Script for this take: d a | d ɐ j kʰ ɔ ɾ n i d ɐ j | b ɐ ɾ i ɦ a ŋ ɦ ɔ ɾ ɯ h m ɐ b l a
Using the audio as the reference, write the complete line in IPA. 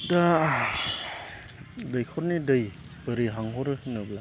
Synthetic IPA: d a | d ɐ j kʰ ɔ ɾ n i d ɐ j | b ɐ ɾ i ɦ a ŋ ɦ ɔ ɾ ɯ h n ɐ b l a